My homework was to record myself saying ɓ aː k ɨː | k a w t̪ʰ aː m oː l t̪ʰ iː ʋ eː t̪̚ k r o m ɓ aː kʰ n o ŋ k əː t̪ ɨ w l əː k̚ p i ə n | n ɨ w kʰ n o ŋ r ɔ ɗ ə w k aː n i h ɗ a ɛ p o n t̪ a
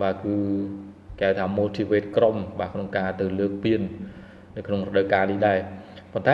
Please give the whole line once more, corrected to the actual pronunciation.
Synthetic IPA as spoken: ɓ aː k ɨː | k a w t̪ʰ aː m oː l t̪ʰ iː ʋ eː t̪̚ k r o m ɓ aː kʰ n o ŋ k aː t̪ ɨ w l əː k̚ p i ə n | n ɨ w kʰ n o ŋ r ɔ ɗ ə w k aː n i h ɗ a ɛ p o n t̪ a